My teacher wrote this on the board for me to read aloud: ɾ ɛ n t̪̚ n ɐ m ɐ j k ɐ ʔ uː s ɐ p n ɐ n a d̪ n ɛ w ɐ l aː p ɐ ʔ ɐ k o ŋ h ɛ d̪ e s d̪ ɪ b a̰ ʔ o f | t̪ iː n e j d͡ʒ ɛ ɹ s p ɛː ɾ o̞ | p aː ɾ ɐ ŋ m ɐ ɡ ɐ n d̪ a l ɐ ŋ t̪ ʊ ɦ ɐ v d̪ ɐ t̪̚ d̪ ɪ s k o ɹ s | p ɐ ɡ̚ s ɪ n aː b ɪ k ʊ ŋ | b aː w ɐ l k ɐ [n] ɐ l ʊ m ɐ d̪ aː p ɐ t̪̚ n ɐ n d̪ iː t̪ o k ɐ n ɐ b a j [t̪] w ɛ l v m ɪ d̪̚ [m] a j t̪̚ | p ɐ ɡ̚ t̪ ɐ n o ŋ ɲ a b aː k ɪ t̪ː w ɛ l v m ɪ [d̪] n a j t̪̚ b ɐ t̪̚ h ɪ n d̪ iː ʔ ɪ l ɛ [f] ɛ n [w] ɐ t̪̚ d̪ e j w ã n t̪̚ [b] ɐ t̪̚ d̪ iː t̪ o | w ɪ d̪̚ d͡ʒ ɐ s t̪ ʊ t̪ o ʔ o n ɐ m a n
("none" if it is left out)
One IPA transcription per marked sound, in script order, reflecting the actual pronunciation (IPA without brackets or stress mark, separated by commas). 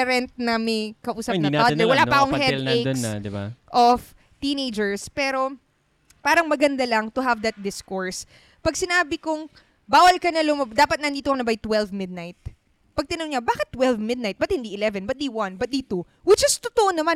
n, t̪, n, d̪, v, b, b